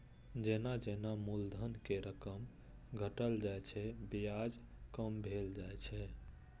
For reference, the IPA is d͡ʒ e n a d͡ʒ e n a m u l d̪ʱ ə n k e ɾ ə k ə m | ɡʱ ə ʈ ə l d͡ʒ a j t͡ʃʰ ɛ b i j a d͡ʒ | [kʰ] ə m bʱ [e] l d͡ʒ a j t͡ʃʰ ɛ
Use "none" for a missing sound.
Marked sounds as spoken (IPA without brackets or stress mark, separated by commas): k, e